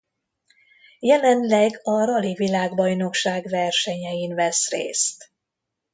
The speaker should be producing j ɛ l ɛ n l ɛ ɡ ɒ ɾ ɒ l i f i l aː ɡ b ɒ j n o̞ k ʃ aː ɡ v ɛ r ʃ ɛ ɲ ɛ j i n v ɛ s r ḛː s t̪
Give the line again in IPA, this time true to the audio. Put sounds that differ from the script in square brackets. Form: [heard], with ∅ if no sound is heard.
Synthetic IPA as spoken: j ɛ l ɛ n l ɛ ɡ ɒ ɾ ɒ l i [v] i l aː ɡ b ɒ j n o̞ k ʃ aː ɡ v ɛ r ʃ ɛ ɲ ɛ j i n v ɛ s r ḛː s t̪